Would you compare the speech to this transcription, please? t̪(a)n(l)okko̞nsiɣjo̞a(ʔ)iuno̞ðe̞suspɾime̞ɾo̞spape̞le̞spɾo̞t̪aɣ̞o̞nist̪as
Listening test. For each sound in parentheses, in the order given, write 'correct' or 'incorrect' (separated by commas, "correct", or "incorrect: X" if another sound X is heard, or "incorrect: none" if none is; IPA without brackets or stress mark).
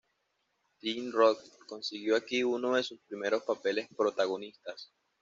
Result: incorrect: i, incorrect: r, incorrect: k